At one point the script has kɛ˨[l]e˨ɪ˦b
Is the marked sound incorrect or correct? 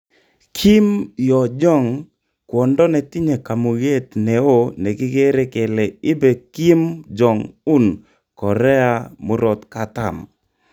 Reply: correct